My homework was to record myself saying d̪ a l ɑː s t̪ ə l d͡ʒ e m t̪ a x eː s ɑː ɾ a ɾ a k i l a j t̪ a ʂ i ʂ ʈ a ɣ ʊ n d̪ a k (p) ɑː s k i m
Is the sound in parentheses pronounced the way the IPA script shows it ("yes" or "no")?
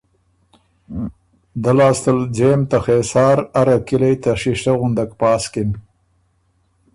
yes